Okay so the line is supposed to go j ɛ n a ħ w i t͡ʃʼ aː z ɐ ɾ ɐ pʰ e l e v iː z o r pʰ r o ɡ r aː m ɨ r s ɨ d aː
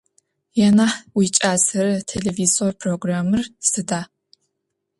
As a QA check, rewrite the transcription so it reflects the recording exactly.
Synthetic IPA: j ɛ n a ħ w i t͡ʃʼ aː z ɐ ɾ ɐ tʰ e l e v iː z o r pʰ r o ɡ r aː m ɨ r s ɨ d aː